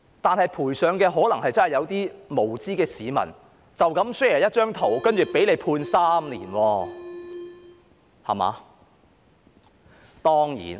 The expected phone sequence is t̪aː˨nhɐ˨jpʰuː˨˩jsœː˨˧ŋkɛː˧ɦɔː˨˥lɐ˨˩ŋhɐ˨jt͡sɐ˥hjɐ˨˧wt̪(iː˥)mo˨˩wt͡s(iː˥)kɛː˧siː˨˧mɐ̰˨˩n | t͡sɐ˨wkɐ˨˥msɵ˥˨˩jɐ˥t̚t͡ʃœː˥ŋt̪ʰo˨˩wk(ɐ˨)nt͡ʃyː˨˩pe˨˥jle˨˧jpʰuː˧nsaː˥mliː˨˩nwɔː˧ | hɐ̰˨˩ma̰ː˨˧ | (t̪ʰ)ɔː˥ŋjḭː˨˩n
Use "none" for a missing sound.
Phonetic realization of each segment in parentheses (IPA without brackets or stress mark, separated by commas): iː˥, iː˥, ɐ˥, t̪